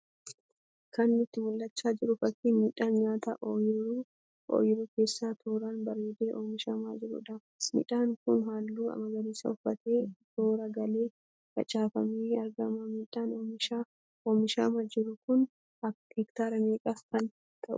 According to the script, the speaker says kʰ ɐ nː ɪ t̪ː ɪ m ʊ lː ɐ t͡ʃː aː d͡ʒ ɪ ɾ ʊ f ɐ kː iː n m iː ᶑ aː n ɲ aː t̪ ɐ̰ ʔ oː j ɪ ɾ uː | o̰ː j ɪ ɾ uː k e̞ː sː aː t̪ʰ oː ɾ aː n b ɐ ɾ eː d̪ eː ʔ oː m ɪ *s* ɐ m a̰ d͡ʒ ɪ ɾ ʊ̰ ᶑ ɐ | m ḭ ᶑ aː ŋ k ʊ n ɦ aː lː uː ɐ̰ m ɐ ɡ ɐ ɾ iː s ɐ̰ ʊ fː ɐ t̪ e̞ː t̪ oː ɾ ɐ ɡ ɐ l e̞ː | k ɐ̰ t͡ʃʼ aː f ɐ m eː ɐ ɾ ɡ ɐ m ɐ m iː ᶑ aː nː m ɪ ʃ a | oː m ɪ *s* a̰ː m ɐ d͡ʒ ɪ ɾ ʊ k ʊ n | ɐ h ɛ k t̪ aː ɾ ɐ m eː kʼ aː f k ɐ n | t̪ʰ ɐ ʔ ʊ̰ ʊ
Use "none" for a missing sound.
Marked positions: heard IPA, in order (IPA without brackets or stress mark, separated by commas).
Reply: ʃ, ʃ